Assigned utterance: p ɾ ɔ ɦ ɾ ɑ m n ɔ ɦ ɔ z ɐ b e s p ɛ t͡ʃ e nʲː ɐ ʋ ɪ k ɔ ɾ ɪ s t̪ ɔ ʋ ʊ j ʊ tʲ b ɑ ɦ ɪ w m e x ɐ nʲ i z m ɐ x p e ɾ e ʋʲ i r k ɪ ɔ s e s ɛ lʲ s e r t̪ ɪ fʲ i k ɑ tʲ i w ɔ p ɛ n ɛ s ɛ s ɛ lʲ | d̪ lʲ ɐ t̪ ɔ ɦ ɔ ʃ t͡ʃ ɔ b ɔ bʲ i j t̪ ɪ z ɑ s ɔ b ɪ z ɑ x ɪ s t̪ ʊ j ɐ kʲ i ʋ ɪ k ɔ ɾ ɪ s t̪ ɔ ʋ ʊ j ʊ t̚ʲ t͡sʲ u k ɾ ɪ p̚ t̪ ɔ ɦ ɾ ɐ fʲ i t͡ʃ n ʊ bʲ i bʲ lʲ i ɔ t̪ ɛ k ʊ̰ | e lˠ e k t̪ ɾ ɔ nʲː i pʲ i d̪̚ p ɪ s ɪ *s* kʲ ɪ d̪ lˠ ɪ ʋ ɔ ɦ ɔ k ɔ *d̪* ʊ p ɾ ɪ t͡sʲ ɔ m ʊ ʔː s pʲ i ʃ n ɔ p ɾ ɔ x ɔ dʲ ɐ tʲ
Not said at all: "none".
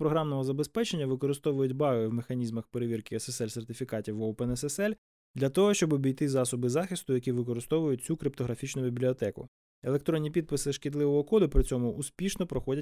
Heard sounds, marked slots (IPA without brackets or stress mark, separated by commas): ʃ, d̪